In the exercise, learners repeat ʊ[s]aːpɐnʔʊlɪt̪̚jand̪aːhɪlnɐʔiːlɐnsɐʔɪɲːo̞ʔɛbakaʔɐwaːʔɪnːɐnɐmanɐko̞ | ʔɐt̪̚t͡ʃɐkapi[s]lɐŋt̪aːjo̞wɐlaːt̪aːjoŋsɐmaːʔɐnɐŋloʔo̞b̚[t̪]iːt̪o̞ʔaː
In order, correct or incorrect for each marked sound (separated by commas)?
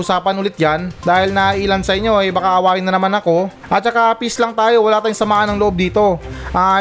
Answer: correct, correct, incorrect